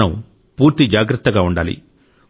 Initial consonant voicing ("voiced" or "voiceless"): voiced